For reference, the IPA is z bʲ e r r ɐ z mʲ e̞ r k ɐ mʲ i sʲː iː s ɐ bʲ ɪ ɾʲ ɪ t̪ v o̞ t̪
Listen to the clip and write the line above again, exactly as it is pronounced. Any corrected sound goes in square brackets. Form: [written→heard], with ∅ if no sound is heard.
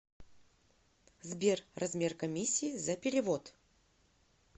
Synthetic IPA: z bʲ e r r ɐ z mʲ e̞ r k ɐ mʲ i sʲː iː [s→z] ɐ [bʲ→pʲ] ɪ ɾʲ ɪ [t̪→∅] v o̞ t̪